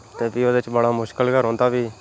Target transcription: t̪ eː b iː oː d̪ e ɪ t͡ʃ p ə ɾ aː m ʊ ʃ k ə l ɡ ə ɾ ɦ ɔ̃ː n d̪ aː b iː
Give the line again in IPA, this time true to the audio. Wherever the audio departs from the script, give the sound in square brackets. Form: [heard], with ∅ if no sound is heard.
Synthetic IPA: t̪ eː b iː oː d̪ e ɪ t͡ʃ [b] ə [ɽ] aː m ʊ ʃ k ə l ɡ ə ɾ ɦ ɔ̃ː n d̪ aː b iː